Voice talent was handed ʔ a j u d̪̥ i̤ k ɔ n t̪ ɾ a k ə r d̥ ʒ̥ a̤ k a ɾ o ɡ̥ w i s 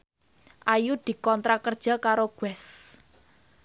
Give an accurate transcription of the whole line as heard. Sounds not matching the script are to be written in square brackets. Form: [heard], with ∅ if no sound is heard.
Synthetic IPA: ʔ a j u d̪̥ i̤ k ɔ n t̪ ɾ a k ə r d̥ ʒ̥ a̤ k a ɾ o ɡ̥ w [ɛ] s